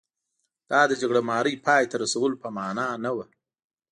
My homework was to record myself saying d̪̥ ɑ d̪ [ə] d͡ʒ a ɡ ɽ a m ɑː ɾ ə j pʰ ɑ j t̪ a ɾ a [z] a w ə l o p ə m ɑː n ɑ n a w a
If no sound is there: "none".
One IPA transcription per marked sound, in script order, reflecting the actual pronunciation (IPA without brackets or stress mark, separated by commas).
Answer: ə, s